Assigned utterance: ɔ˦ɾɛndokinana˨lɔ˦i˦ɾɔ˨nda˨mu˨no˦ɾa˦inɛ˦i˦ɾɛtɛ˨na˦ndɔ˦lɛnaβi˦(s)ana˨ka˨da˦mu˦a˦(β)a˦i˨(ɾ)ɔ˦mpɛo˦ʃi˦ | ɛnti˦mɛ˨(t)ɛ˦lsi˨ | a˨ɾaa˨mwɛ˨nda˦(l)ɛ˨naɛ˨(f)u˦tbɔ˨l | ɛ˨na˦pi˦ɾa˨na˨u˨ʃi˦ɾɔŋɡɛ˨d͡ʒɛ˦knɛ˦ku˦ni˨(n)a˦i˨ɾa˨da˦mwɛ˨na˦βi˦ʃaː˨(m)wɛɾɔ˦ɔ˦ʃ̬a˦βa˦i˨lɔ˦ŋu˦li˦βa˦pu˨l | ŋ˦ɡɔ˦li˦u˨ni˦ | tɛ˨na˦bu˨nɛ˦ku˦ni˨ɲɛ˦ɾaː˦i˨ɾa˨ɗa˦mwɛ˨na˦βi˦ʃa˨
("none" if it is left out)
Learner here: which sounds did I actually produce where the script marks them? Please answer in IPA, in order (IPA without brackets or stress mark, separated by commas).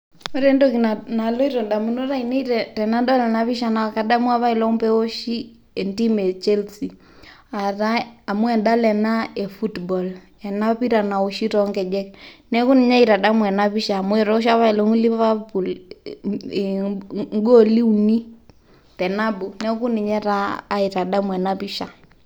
ʃ, β, l, t͡ʃ, l, f, ɲ, m